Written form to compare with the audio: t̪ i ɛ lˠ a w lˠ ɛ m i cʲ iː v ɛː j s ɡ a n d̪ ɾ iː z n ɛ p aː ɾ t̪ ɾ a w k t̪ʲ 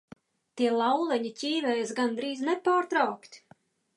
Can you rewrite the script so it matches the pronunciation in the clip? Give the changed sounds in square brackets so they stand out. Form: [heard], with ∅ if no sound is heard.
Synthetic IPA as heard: t̪ i ɛ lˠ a w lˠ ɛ [ɲ] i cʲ iː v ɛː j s ɡ a n d̪ ɾ iː z n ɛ p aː ɾ t̪ ɾ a w k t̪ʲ